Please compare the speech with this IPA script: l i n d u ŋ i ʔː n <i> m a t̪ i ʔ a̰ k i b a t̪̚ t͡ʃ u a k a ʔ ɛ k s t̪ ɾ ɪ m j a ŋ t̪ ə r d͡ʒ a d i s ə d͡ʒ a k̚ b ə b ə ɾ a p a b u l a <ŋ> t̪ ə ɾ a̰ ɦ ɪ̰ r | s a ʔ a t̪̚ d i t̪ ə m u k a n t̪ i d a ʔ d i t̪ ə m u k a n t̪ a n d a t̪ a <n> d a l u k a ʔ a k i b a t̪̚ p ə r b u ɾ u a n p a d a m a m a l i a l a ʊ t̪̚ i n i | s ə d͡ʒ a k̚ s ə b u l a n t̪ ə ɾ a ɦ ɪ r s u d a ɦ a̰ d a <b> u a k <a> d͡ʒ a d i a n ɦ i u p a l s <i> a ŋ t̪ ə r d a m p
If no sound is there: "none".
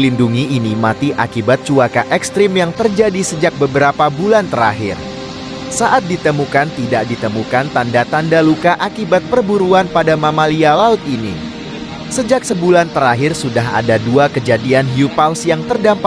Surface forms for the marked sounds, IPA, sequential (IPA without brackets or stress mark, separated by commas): i, n, n, d, ə, j